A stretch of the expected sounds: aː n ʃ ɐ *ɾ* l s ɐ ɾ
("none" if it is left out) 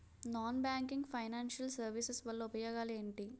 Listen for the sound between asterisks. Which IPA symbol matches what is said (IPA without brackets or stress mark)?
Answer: none